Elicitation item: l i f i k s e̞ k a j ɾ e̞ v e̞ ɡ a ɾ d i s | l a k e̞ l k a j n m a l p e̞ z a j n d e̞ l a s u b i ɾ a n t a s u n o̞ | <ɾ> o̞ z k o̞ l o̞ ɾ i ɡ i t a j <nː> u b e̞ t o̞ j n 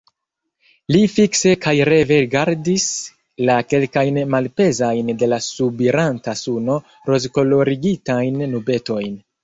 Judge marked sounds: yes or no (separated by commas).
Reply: yes, yes